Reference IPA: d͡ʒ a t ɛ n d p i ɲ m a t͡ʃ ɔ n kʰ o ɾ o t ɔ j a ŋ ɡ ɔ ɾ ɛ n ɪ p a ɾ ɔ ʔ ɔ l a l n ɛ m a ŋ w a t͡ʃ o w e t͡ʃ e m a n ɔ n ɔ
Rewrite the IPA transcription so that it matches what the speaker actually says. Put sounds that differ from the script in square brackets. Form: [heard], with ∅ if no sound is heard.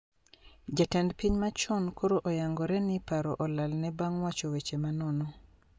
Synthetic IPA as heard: d͡ʒ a t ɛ n d p i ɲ m a t͡ʃ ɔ n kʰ o ɾ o [ʔ] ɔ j a ŋ ɡ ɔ ɾ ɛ n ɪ p a ɾ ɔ ʔ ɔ l a l n ɛ [b] a ŋ w a t͡ʃ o w e t͡ʃ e m a n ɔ n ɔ

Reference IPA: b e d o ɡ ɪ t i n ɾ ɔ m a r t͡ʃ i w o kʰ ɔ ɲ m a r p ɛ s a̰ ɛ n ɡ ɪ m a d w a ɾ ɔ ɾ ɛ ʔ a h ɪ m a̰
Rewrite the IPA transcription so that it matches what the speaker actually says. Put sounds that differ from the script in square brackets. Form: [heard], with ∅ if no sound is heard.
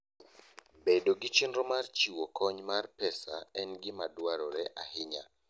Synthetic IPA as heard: b e d o ɡ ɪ [t͡ʃ] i n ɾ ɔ m a r t͡ʃ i w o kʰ ɔ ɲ m a r p ɛ s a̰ ɛ n ɡ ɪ m a d w a ɾ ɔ ɾ ɛ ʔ a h ɪ [ɲ] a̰

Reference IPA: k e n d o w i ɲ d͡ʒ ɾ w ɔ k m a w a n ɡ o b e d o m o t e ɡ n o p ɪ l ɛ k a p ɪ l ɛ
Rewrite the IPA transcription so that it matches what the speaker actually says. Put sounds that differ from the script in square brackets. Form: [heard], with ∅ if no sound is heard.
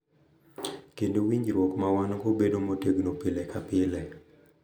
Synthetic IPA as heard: k e n d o w i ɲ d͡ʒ ɾ w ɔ k m a w a n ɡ o b e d o m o t e ɡ n o p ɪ l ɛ k a p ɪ l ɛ

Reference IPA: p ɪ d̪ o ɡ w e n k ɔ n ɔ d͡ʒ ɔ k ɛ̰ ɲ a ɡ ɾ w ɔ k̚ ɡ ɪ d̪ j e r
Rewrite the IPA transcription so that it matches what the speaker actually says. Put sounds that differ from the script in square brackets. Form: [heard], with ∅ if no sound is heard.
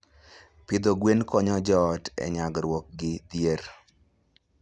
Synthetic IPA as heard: p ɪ d̪ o ɡ w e n k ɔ [ɲ] ɔ d͡ʒ ɔ [t] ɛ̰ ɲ a ɡ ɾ w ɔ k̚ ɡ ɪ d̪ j e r

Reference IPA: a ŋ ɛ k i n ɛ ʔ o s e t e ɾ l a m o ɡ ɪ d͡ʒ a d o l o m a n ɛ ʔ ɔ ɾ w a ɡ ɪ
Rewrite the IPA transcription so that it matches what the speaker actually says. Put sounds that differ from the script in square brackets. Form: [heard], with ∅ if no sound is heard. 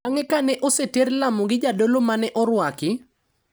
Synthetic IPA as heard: a ŋ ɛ k [a] n ɛ ʔ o s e t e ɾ l a m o ɡ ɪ d͡ʒ a d o l o m a n ɛ ʔ ɔ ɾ w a [k] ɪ

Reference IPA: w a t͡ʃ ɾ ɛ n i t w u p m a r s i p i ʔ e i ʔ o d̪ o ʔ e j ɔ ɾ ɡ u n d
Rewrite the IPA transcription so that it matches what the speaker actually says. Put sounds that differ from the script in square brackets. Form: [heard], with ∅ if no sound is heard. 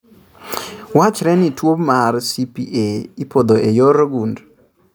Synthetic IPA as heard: w a t͡ʃ ɾ ɛ n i t w [o] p m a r s i p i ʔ e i [p] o d̪ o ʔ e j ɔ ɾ ɡ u n d

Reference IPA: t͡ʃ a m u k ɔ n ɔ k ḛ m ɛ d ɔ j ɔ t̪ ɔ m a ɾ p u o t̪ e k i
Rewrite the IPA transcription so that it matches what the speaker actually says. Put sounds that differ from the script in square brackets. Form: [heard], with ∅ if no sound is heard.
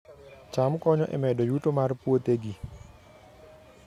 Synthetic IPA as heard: t͡ʃ a m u k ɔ [ɲ] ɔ [ʔ] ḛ m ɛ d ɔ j [u] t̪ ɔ m a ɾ p u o t̪ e [ɡ] i

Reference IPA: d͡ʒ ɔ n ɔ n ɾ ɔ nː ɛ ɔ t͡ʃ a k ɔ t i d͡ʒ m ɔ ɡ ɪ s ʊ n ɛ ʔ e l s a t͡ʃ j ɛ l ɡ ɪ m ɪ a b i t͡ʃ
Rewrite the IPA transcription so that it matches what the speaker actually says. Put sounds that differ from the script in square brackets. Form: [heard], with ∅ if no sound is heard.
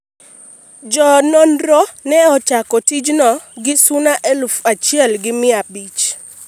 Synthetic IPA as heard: d͡ʒ ɔ n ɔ n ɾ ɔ [n] ɛ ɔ t͡ʃ a k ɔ t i d͡ʒ [n] ɔ ɡ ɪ s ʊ n [a] ʔ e l [f] a t͡ʃ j ɛ l ɡ ɪ m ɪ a b i t͡ʃ

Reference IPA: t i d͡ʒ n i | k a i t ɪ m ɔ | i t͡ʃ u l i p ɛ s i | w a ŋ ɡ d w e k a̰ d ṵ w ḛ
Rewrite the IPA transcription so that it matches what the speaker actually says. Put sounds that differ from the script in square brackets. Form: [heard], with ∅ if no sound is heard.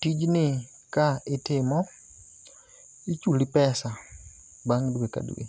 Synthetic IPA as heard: t i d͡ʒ n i | k a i t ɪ m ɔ | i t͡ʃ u l i p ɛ s [a] | [b] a ŋ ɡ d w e k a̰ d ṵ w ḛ

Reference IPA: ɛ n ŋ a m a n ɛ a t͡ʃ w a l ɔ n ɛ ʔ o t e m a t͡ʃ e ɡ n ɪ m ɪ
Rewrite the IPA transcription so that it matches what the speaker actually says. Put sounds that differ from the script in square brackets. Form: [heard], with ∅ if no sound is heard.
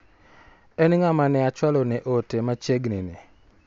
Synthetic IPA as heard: ɛ n ŋ a m a n ɛ a t͡ʃ w a l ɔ n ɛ ʔ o t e m a t͡ʃ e ɡ n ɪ [n] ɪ

